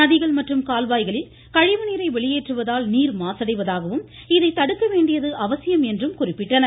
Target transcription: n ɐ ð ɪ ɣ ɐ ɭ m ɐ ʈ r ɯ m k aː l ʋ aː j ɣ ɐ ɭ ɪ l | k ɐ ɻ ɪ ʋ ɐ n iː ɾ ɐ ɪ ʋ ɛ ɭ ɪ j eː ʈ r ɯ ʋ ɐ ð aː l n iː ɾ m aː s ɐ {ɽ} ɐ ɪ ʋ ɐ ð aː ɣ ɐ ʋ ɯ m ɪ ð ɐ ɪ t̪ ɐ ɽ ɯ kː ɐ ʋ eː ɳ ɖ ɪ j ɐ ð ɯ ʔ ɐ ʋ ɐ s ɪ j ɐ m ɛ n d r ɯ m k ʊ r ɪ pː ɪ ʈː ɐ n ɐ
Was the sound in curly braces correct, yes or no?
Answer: yes